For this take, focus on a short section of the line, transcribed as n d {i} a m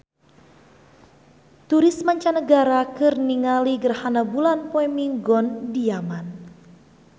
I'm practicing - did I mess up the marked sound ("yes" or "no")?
no